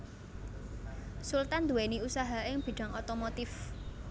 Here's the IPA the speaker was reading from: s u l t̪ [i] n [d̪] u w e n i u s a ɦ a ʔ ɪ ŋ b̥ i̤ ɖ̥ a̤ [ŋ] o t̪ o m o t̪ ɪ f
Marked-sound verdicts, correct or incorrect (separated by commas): incorrect, correct, correct